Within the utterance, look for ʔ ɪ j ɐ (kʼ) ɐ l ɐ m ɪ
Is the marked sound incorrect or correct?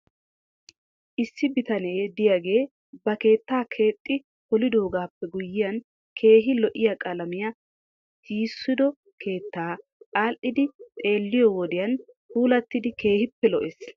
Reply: correct